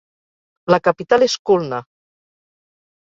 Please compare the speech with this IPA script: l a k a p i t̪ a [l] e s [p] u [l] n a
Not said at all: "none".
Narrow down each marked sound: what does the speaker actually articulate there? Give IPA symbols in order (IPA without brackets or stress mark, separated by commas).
l, k, l